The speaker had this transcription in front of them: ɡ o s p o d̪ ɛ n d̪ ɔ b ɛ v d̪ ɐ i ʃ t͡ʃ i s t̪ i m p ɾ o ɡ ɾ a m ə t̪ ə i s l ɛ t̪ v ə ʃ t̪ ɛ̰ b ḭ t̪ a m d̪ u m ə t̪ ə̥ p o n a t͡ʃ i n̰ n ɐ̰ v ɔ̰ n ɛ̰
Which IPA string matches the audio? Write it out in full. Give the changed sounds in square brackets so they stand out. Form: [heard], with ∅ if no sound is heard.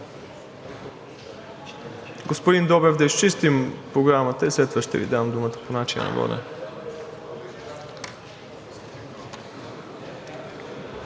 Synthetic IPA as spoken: ɡ o s p o d̪ [i] n d̪ ɔ b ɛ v d̪ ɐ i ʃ t͡ʃ i s t̪ i m p ɾ o ɡ ɾ a m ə t̪ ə i s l ɛ t̪ v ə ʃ t̪ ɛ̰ [v] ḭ [d̪] a m d̪ u m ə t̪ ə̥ p o n a t͡ʃ i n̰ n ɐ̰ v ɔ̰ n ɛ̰